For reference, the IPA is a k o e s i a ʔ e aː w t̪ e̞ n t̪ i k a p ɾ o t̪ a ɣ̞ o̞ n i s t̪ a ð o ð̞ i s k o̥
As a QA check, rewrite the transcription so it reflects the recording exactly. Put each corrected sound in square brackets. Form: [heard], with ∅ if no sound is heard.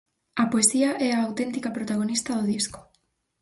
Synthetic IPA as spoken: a [p] o e s i a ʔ e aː w t̪ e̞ n t̪ i k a p ɾ o t̪ a ɣ̞ o̞ n i s t̪ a ð o ð̞ i s k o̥

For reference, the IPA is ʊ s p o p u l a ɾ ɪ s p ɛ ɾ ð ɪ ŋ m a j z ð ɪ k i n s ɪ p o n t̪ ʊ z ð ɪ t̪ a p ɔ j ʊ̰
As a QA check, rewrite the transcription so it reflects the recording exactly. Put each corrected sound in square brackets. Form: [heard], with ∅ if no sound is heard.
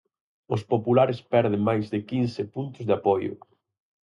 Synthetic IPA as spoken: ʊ s p o p u l a ɾ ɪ s p ɛ ɾ ð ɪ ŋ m a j z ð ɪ k i n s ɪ p [u] n t̪ ʊ z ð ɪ [∅] a p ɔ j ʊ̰

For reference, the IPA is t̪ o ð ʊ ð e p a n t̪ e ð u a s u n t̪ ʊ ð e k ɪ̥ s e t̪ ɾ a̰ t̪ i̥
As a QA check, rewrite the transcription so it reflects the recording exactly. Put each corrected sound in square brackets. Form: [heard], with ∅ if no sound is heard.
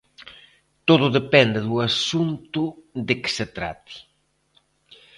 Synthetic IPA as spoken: t̪ o ð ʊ ð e p [ɛ] n [d̪] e ð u a s u n t̪ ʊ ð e k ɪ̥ s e t̪ ɾ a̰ t̪ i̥

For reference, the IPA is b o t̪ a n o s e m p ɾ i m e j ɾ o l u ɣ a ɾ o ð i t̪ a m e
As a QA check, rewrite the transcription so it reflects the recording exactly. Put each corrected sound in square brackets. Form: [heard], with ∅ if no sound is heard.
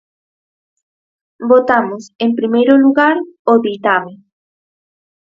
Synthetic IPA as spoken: b o t̪ a [m] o s e m p ɾ i m e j ɾ o l u ɣ a ɾ o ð i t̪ a m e

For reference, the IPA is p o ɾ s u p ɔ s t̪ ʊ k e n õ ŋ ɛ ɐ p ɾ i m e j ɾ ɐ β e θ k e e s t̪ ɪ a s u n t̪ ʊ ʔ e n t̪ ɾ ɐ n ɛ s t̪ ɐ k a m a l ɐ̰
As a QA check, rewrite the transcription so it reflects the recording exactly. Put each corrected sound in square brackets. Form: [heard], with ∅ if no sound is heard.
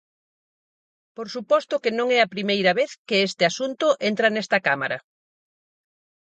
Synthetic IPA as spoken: p o ɾ s u p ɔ s t̪ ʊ k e n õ ŋ ɛ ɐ p ɾ i m e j ɾ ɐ β e θ k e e s t̪ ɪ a s u n t̪ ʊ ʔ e n t̪ ɾ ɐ n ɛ s t̪ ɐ k a m a [ɾ] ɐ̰

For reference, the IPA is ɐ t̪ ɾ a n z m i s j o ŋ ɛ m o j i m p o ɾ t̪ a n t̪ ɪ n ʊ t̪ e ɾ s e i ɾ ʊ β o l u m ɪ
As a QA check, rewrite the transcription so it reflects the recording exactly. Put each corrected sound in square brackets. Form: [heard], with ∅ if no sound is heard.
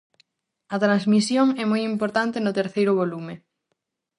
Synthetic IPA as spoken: ɐ t̪ ɾ a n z m i s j o ŋ ɛ m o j i m p o ɾ t̪ a n t̪ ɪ n ʊ t̪ e ɾ [θ] e [j] ɾ ʊ β o l u m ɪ

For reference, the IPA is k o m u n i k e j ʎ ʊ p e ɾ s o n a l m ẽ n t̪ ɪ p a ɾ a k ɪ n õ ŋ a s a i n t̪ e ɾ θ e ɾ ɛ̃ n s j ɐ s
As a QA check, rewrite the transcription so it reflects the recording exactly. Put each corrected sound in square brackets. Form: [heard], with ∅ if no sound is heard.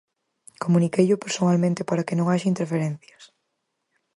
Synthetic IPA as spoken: k o m u n i k e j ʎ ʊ p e ɾ s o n a l m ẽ n t̪ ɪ p a ɾ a k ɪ n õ ŋ a [ʃ] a i n t̪ e ɾ [f] e ɾ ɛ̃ n [θ] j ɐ s

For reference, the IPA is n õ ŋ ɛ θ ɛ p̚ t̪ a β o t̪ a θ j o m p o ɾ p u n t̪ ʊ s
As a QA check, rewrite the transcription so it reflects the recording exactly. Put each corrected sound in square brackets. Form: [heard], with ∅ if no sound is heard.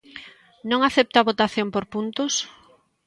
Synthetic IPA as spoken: n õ ŋ [a] θ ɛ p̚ t̪ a β o t̪ a θ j o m p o ɾ p u n t̪ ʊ s

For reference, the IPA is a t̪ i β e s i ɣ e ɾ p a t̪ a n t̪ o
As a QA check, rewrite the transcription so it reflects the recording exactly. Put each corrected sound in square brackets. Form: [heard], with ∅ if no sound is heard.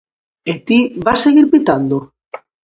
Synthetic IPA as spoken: [e] t̪ i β [a] s [e] ɣ [i] ɾ p [i] t̪ a n [d̪] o

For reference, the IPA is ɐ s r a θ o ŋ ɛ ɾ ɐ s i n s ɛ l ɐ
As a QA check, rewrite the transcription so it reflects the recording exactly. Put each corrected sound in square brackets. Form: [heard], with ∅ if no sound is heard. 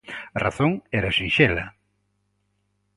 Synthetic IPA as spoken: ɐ [∅] r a θ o ŋ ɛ ɾ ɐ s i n [ʃ] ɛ l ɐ

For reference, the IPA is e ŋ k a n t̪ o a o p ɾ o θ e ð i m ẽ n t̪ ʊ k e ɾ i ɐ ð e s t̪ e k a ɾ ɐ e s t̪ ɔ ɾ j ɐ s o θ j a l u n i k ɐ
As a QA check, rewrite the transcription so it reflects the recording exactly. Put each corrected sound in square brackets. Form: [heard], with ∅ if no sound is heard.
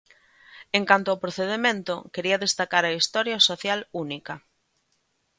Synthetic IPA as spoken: e ŋ k a n t̪ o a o p ɾ o θ e ð [e] m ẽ n t̪ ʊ k e ɾ i ɐ ð e s t̪ [a] k a ɾ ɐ [i] s t̪ ɔ ɾ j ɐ s o θ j a l u n i k ɐ

